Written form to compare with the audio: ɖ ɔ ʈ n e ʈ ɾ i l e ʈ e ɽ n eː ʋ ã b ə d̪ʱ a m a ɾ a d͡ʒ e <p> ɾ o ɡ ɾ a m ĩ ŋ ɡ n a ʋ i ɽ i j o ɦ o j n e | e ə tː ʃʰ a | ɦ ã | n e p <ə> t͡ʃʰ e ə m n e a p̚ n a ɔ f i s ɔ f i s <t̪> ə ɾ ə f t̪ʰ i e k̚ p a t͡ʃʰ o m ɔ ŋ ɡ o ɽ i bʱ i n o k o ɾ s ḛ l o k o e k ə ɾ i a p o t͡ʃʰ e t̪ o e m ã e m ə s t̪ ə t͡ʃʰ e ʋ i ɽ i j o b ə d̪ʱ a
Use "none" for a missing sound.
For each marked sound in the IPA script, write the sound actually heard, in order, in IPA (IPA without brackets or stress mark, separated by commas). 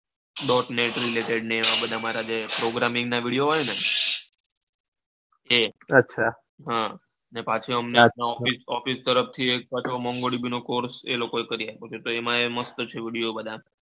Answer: p, a, t̪